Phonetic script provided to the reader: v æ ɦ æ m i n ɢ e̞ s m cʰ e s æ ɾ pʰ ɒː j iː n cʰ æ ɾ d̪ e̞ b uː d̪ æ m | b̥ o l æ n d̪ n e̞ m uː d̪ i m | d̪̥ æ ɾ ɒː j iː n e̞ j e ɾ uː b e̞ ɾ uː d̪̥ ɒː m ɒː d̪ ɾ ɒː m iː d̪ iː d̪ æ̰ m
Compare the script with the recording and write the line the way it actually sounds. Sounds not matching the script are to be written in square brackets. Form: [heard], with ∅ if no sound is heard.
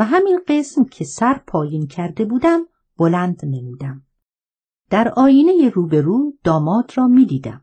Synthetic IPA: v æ ɦ æ m i n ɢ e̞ s m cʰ e s æ ɾ pʰ ɒː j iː n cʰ æ ɾ d̪ e̞ b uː d̪ æ m | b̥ o l æ n d̪ n e̞ m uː d̪ [æ] m | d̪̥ æ ɾ ɒː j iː n e̞ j e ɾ uː b e̞ ɾ uː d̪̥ ɒː m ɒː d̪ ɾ ɒː m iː d̪ iː d̪ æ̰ m